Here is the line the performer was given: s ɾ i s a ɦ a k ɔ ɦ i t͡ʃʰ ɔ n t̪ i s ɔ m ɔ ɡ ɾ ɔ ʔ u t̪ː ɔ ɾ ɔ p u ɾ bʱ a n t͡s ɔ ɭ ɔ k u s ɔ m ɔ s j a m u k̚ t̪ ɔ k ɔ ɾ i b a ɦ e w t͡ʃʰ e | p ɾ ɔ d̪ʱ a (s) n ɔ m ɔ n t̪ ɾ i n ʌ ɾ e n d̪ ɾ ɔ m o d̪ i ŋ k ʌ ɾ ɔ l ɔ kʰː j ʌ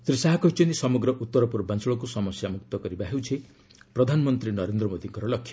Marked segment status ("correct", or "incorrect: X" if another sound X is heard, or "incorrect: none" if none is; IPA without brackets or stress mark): incorrect: none